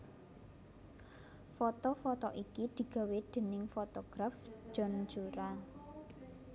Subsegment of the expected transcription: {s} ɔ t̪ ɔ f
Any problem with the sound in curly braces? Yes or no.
yes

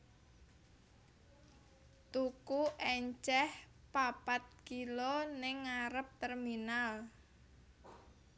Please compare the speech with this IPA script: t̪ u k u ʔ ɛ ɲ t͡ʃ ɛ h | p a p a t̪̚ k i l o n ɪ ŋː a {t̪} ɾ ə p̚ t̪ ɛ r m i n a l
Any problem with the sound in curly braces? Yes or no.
yes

